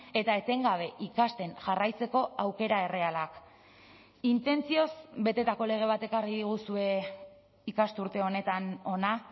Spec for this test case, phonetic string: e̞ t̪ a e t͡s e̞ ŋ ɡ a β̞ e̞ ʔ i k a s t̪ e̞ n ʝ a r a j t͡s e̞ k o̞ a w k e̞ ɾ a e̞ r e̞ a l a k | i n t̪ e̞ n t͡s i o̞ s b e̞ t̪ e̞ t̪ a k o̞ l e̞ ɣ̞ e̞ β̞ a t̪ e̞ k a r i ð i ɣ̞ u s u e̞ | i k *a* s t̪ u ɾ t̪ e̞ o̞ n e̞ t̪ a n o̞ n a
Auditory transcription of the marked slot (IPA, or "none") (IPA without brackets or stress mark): a